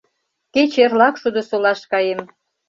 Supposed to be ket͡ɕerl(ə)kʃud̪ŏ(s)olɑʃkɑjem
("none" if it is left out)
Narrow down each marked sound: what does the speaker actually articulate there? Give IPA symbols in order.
ɑ, s

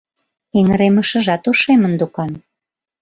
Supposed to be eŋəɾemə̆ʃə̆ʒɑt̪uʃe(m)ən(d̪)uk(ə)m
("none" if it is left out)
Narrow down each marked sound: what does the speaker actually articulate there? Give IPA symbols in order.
m, d̪, ɑ

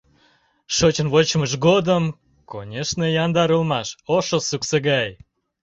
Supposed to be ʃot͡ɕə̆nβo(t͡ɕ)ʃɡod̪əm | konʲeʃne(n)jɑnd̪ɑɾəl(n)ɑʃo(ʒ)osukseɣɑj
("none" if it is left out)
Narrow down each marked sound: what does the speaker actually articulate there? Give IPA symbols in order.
t͡ɕ, none, m, ʃ

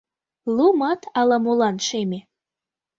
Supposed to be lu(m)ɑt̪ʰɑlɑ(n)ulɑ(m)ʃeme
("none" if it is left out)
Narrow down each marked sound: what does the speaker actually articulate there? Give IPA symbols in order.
m, m, n

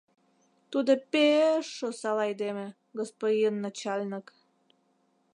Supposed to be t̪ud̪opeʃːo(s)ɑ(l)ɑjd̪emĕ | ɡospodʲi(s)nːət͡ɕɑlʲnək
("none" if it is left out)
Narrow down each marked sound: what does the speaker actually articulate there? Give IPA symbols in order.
s, l, none

